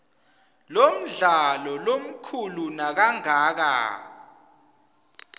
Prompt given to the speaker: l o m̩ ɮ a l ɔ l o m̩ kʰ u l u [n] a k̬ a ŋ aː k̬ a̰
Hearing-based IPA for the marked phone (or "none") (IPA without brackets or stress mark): n